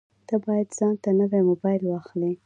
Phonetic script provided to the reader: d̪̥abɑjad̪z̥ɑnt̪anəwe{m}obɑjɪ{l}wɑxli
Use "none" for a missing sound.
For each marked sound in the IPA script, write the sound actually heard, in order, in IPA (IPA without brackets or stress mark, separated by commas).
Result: m, l